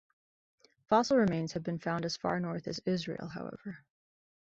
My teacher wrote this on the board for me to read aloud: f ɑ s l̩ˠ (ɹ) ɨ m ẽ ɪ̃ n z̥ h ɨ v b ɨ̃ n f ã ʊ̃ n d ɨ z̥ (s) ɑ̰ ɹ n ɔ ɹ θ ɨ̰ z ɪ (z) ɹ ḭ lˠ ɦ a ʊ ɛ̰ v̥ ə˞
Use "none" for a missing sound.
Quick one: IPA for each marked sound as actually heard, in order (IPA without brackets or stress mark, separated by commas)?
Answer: ɹ, f, z